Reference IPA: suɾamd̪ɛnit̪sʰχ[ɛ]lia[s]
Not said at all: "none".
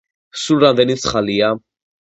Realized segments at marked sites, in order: a, none

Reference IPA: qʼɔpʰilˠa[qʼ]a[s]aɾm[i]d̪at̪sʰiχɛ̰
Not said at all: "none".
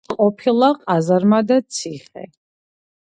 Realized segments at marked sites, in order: qʼ, z, a

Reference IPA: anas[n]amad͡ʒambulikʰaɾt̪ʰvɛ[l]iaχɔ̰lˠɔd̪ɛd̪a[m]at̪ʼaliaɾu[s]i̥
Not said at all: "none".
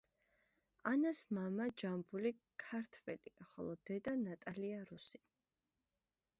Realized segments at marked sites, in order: m, l, n, s

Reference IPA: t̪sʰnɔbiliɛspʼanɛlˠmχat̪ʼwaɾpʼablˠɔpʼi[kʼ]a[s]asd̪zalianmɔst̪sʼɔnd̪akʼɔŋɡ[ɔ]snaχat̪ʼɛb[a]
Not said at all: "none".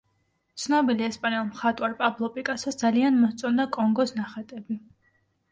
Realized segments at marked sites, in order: kʼ, s, ɔ, i

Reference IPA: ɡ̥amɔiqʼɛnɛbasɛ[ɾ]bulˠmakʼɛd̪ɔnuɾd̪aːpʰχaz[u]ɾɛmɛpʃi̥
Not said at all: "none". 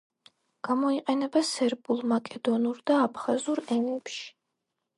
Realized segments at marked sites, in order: ɾ, u

